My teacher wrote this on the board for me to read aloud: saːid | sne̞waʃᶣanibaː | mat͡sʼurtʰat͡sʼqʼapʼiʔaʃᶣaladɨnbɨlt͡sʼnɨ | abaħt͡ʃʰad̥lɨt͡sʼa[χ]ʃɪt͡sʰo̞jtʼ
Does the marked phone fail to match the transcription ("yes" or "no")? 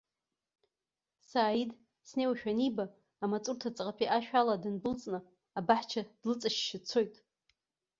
yes